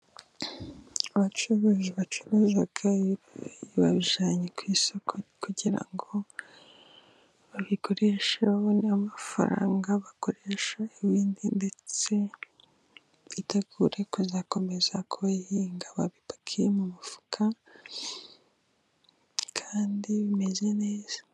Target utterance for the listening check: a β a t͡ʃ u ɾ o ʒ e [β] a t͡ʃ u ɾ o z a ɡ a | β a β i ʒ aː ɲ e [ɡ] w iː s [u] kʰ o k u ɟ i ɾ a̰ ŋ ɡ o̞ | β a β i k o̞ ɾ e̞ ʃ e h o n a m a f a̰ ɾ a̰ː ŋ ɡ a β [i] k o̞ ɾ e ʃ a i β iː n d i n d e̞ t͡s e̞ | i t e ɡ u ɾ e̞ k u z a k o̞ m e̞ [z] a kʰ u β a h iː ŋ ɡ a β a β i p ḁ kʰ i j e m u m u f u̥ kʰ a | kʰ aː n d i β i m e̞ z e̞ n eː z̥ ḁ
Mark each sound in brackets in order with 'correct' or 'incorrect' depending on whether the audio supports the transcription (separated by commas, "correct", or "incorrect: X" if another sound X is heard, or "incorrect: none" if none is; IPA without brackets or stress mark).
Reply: correct, incorrect: k, incorrect: o, incorrect: a, correct